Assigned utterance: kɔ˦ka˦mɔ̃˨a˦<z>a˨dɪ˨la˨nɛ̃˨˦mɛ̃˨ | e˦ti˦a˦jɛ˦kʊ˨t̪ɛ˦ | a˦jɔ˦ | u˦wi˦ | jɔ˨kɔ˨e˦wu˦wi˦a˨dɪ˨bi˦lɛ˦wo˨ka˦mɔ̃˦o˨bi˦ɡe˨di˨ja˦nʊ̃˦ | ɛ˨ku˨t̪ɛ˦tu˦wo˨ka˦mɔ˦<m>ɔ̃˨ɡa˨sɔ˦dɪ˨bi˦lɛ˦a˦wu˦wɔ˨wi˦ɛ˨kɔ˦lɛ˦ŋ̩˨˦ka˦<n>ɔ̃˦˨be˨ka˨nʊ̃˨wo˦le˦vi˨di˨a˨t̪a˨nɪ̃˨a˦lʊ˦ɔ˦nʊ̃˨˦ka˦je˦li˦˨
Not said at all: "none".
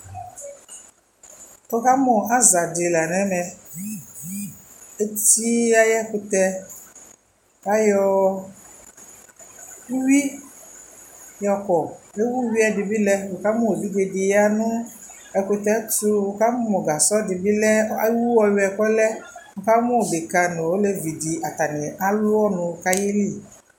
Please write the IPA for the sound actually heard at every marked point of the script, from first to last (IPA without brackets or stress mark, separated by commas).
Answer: z, m, m